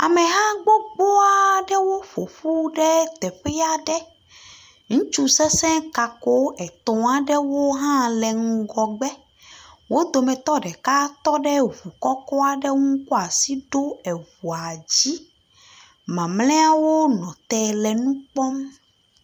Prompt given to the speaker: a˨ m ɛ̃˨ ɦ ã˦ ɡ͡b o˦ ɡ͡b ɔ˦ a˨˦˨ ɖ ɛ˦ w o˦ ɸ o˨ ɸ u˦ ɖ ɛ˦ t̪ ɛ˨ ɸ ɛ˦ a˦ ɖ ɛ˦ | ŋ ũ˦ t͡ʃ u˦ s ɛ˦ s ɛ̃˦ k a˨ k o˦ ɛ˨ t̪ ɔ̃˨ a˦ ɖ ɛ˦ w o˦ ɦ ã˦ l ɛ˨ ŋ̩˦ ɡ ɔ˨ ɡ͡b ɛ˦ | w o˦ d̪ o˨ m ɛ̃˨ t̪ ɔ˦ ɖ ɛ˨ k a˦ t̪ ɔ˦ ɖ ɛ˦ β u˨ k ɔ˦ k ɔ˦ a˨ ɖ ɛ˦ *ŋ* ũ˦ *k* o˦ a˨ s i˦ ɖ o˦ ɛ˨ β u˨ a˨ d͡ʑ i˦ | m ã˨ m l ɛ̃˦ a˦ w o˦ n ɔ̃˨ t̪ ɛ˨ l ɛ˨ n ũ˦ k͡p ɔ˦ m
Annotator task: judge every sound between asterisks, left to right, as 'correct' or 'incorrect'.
correct, correct

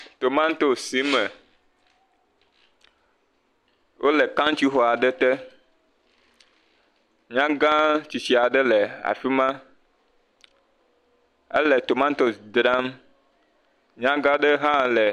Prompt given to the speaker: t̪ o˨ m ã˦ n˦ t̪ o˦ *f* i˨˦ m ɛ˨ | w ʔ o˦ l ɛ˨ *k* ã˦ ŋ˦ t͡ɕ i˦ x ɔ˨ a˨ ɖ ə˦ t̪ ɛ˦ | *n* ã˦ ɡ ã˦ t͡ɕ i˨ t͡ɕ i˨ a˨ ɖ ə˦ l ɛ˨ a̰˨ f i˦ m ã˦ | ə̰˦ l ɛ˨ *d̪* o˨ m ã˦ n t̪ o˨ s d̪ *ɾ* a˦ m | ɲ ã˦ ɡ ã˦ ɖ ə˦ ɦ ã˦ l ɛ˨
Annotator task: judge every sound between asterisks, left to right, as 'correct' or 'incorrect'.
incorrect: s, correct, incorrect: ɲ, incorrect: t̪, correct

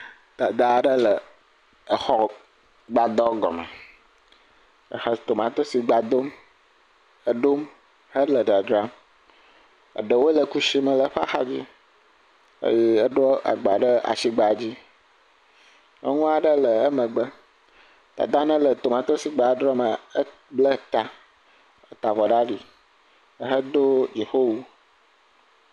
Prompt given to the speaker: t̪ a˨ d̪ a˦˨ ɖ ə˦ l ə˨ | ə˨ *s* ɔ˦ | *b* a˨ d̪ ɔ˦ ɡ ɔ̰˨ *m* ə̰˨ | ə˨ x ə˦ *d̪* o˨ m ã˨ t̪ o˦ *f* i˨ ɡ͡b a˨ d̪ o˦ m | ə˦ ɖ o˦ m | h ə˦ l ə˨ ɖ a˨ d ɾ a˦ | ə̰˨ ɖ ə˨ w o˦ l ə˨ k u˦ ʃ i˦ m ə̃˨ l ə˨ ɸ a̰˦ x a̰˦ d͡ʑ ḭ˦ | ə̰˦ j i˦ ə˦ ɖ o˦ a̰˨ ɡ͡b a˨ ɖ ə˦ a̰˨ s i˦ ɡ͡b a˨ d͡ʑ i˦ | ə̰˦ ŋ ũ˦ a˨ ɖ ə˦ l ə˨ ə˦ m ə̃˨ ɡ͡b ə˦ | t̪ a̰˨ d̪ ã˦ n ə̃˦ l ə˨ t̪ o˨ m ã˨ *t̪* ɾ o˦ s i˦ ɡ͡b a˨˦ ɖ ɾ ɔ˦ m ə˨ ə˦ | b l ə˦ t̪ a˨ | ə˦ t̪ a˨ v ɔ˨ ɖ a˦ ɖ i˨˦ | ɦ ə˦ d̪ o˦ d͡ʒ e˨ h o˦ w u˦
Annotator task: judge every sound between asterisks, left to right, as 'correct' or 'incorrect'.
incorrect: x, incorrect: ɡ͡b, correct, incorrect: t̪, incorrect: s, correct

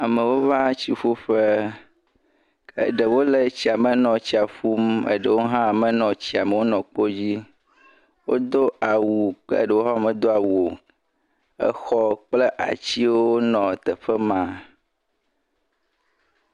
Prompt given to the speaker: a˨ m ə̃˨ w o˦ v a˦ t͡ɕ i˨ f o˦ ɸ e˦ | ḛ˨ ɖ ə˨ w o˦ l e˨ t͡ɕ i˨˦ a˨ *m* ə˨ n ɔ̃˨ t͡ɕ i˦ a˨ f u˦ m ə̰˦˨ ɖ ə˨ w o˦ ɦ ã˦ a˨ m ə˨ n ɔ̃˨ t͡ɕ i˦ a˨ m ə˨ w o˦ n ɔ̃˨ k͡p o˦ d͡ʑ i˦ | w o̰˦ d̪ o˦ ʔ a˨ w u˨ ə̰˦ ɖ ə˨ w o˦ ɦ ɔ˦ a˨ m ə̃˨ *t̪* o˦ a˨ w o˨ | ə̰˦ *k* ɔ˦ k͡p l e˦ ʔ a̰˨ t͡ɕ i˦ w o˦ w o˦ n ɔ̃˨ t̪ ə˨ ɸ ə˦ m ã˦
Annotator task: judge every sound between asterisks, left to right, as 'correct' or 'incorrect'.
correct, incorrect: d̪, incorrect: x

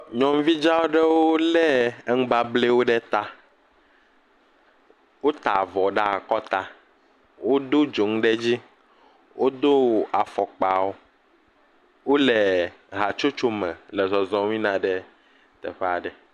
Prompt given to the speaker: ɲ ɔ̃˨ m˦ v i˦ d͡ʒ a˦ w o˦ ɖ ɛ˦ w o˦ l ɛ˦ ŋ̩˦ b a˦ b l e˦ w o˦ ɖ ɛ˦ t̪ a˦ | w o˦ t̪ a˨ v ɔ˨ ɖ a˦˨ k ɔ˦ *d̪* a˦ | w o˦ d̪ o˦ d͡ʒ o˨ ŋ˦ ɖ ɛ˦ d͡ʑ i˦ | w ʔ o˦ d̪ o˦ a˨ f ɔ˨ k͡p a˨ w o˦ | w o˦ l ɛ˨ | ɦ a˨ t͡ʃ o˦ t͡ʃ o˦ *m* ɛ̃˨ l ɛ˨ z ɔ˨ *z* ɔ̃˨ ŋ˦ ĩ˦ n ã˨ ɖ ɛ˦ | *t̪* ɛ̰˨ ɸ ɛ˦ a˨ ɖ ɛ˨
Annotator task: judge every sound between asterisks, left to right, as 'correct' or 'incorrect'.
incorrect: t̪, correct, correct, correct

